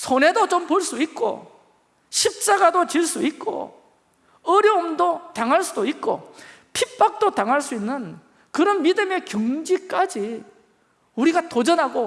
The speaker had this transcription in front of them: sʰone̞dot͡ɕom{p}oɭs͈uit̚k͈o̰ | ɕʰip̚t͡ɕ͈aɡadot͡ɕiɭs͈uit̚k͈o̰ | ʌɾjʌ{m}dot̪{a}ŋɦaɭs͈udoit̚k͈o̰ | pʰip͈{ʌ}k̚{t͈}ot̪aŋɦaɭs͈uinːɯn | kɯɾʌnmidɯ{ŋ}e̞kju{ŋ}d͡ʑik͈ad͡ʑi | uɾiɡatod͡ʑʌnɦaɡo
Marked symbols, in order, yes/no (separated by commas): yes, yes, yes, no, yes, no, yes